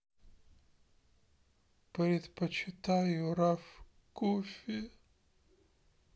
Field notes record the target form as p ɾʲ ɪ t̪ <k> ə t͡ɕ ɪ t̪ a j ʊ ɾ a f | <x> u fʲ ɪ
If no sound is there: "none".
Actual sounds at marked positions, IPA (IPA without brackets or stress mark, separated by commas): p, k